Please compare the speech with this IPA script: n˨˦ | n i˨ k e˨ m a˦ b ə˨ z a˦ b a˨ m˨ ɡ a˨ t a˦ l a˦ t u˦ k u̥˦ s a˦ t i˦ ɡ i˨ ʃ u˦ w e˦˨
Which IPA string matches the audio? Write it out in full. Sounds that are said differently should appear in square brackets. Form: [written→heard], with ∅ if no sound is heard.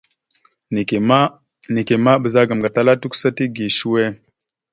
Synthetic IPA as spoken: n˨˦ | n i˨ k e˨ m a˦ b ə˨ z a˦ [b→ɡ] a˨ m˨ ɡ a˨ t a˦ l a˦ t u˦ k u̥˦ s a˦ t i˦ ɡ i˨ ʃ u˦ w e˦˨